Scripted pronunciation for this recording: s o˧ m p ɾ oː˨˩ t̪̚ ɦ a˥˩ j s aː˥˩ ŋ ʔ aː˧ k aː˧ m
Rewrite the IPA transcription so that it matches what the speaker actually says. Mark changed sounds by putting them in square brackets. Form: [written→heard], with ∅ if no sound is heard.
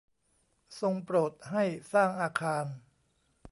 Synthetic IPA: s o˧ [m→ŋ] p ɾ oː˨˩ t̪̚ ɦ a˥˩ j s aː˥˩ ŋ ʔ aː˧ [k→kʰ] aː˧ [m→n]

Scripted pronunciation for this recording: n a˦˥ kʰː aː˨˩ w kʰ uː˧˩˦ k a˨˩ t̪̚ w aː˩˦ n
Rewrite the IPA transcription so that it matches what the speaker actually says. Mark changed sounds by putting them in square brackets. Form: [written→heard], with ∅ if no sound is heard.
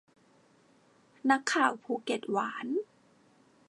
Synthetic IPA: n a˦˥ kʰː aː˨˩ w [kʰ→pʰ] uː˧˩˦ k [a˨˩→e˨˩] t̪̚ w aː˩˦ n

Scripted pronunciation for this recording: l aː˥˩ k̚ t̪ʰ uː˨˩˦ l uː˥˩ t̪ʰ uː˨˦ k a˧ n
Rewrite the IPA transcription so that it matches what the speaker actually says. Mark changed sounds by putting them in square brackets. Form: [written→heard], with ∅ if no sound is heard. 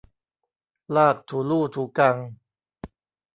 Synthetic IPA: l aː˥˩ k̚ t̪ʰ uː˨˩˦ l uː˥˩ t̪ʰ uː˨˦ k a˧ [n→ŋ]

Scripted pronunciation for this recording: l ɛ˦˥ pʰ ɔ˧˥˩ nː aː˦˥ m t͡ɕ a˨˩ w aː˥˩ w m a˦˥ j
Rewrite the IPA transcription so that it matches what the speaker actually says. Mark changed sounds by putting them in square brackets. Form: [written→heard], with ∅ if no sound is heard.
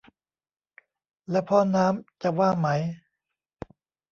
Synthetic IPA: l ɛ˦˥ pʰ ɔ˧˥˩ [nː→n] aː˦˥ m t͡ɕ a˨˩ w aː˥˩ [w→∅] m a˦˥ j

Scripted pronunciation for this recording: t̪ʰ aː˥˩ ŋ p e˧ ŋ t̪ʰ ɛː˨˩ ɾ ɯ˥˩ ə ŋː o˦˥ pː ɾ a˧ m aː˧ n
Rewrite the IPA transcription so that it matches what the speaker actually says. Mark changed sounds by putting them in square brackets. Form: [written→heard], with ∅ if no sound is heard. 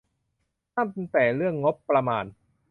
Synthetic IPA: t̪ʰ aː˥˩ [ŋ→m] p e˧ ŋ [t̪ʰ→t̪] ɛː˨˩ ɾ ɯ˥˩ ə ŋː o˦˥ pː ɾ a˧ m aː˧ n

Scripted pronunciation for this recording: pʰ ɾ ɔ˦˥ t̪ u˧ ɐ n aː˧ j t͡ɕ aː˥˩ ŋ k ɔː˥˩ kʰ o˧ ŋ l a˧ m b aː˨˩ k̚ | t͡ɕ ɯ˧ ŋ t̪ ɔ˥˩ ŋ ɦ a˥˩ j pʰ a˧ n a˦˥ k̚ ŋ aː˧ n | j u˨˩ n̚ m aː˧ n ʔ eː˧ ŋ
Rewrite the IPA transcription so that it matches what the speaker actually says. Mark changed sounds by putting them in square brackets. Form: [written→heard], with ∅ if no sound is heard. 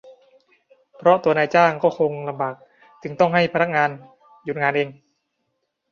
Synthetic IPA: pʰ ɾ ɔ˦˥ t̪ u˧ ɐ n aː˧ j t͡ɕ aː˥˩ ŋ k ɔː˥˩ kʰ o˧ ŋ l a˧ m b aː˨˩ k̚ | t͡ɕ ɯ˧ ŋ t̪ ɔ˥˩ ŋ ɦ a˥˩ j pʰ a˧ n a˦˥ k̚ ŋ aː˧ n | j u˨˩ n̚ [m→ŋ] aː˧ n ʔ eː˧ ŋ

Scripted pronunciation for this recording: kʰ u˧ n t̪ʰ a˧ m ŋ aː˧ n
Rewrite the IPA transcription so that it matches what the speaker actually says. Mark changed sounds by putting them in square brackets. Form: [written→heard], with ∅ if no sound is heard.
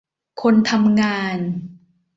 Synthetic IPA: kʰ [u˧→o˧] n t̪ʰ a˧ m ŋ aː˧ n

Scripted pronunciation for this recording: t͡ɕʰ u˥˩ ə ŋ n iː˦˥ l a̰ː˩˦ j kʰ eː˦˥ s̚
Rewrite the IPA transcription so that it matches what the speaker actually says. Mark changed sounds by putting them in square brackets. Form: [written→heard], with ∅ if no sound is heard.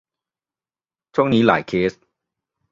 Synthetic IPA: t͡ɕʰ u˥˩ ə ŋ n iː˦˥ l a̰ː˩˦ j kʰ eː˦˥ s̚

